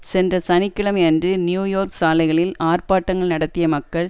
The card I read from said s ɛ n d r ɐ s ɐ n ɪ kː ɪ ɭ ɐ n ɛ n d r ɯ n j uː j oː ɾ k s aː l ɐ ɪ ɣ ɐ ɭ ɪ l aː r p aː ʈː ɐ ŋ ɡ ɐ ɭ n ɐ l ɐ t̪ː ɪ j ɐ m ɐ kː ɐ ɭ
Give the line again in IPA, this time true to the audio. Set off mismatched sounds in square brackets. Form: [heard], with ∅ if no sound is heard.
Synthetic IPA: s ɛ n d r ɐ s ɐ n ɪ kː ɪ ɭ ɐ [m] ɛ n d r ɯ n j uː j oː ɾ k s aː l ɐ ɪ ɣ ɐ ɭ ɪ l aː r p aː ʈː ɐ ŋ ɡ ɐ ɭ n ɐ [ɽ] ɐ t̪ː ɪ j ɐ m ɐ kː ɐ ɭ